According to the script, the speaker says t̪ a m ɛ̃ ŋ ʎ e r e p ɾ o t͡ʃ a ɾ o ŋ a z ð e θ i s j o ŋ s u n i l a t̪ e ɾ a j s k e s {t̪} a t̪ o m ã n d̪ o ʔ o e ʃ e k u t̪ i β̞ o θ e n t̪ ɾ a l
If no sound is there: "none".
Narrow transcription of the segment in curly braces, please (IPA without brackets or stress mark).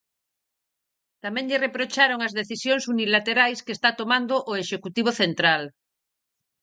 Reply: t̪